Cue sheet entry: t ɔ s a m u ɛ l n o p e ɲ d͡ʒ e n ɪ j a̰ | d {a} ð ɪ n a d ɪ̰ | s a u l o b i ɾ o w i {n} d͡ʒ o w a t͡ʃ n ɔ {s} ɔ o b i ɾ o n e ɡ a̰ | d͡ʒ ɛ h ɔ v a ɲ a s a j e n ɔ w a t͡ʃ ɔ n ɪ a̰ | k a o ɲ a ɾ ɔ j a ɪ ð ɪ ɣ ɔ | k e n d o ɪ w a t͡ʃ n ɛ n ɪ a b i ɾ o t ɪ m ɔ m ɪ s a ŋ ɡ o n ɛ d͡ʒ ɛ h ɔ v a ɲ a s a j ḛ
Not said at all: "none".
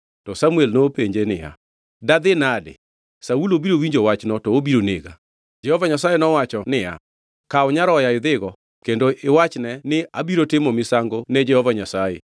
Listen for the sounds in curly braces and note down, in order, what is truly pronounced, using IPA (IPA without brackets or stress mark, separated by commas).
a, ɲ, t